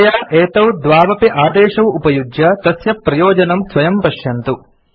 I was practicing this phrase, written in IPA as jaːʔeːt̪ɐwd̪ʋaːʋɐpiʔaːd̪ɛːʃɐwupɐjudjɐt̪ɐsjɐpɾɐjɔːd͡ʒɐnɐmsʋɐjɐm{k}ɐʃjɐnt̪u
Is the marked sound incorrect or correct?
incorrect